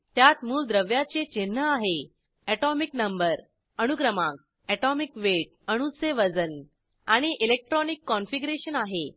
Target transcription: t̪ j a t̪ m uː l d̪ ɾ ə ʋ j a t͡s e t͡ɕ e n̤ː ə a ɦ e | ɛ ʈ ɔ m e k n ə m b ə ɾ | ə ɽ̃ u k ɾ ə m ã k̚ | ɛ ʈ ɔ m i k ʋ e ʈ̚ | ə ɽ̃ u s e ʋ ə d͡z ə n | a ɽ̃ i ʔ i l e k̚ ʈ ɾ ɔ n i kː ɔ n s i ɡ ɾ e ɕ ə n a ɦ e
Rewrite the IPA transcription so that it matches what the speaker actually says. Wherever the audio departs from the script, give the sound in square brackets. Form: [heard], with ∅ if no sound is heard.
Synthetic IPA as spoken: t̪ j a t̪ m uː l d̪ ɾ ə ʋ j a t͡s e t͡ɕ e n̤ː ə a ɦ e | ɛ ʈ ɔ m [i] k n ə m b ə ɾ | ə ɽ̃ u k ɾ ə m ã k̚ | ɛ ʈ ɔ m i k ʋ e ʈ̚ | ə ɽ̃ u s e ʋ ə d͡z ə n | a ɽ̃ i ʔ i l e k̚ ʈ ɾ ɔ n i kː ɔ n [f] i ɡ ɾ e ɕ ə n a ɦ e